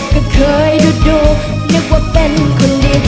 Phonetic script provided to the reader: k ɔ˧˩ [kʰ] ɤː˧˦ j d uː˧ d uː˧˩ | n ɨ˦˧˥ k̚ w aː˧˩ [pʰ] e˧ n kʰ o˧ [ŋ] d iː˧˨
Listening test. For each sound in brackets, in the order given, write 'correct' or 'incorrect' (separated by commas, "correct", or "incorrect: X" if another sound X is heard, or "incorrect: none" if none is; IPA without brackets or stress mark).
correct, incorrect: p, incorrect: n